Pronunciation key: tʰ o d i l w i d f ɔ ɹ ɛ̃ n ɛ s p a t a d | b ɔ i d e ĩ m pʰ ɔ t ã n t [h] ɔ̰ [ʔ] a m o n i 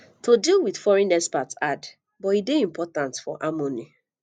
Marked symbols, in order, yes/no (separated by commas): no, yes